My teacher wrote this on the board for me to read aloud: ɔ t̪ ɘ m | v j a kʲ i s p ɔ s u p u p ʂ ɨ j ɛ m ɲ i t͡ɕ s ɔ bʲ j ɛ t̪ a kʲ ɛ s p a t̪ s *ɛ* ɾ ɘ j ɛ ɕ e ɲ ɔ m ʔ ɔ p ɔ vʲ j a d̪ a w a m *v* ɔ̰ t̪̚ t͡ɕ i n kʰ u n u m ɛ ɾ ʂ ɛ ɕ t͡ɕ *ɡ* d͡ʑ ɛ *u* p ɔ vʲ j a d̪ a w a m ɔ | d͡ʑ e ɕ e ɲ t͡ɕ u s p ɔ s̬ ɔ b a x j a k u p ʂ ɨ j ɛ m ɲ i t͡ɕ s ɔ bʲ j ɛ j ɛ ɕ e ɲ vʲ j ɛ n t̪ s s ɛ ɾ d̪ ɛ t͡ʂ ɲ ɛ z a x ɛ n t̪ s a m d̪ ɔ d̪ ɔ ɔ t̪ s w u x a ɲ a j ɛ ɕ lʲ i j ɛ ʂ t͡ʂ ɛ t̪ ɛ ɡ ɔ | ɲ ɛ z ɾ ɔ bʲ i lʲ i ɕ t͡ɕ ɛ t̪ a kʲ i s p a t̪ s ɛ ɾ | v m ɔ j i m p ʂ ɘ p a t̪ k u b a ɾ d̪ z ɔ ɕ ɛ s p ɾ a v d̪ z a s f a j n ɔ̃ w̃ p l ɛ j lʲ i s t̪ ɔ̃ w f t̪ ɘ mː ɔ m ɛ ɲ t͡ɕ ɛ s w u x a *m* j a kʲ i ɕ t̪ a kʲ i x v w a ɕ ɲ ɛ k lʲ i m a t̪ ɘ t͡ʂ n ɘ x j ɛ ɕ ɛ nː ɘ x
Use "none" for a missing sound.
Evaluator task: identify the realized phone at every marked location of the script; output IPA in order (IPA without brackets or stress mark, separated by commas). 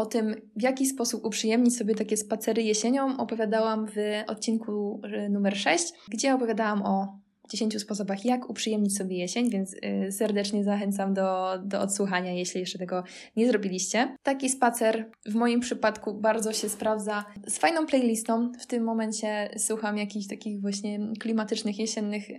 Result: ɛ, v, ɡ, ɔ, m